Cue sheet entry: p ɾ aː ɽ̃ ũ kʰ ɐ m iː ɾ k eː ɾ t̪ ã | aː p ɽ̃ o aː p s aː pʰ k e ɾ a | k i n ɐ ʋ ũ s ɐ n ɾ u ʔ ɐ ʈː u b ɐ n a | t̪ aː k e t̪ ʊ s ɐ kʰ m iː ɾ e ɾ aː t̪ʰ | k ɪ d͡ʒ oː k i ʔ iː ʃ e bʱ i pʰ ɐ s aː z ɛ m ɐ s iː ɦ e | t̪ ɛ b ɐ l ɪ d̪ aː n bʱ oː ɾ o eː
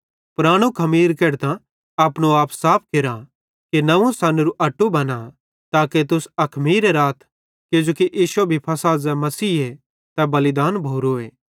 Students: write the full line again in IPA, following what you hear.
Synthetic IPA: p ɾ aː ɽ̃ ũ kʰ ɐ m iː ɾ k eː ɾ t̪ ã | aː p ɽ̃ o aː p s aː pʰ k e ɾ a | k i n ɐ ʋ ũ s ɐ n ɾ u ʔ ɐ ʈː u b ɐ n a | t̪ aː k e t̪ ʊ s ɐ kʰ m iː ɾ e ɾ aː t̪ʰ | k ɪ d͡ʒ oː k i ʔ iː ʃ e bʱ i pʰ ɐ s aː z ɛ m ɐ s iː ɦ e | t̪ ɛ b ɐ l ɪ d̪ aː n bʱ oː ɾ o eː